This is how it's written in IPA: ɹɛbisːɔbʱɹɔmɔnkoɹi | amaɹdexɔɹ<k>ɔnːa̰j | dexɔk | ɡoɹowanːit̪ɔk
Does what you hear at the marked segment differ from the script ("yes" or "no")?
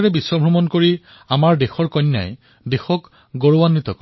no